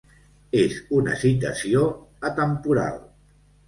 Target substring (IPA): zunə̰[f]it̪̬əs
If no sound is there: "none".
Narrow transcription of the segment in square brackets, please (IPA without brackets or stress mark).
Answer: s